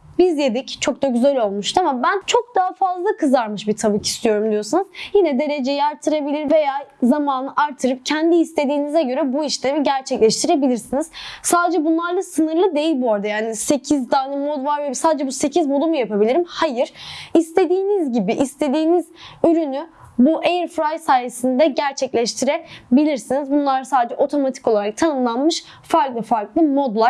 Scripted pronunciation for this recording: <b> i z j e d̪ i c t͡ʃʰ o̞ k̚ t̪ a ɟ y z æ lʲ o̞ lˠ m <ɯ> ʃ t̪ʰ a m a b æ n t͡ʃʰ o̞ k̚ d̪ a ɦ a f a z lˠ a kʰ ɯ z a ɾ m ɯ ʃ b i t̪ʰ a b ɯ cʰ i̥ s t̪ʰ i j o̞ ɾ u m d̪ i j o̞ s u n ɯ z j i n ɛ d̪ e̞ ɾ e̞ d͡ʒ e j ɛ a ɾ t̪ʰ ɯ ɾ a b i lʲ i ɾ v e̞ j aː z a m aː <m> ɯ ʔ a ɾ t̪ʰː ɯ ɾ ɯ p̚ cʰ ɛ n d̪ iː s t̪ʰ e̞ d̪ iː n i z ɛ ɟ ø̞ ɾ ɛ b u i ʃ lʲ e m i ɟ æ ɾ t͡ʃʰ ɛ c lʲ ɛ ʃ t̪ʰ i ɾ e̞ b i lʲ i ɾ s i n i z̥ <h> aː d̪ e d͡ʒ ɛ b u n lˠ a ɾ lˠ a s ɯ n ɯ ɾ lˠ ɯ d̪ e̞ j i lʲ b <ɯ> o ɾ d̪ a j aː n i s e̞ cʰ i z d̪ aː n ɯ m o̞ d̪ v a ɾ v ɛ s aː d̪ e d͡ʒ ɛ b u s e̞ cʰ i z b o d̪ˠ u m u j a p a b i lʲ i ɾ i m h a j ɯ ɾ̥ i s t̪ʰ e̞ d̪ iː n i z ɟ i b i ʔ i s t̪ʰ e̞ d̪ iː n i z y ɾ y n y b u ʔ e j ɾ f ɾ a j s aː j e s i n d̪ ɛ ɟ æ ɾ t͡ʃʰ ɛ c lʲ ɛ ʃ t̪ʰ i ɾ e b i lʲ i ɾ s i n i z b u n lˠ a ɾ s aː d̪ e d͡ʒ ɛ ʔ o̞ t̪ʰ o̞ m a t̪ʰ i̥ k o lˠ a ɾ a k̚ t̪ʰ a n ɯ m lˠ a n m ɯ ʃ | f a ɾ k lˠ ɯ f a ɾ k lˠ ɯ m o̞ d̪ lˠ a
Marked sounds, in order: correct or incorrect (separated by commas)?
correct, incorrect, incorrect, incorrect, incorrect